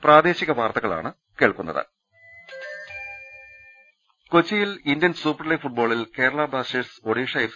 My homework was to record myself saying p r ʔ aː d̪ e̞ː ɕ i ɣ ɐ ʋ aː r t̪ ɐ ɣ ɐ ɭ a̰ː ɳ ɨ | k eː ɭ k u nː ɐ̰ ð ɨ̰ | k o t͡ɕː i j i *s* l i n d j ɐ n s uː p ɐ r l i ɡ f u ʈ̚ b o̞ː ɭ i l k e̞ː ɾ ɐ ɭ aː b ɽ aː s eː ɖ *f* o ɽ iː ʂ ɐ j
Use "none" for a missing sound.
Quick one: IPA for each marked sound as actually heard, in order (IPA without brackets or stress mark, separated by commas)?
none, s